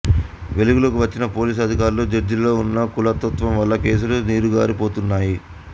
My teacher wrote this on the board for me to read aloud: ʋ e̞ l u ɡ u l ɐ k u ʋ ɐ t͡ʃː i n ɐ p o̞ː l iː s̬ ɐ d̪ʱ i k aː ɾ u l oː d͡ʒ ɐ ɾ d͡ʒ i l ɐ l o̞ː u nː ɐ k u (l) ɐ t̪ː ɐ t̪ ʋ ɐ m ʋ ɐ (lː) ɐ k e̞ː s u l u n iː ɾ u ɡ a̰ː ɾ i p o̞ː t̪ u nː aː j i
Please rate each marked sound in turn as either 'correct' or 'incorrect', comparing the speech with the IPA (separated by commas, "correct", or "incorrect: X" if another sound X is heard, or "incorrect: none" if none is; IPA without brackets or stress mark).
correct, correct